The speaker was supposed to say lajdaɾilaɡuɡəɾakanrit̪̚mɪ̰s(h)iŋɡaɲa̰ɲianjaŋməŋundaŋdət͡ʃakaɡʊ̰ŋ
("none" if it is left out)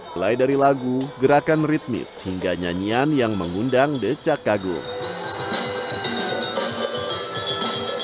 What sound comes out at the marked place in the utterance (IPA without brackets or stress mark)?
h